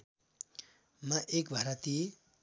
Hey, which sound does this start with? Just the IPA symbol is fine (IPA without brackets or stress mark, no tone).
m